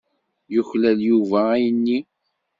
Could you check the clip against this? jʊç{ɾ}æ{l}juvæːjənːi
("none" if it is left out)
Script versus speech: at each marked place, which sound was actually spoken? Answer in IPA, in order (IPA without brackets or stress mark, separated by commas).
l, l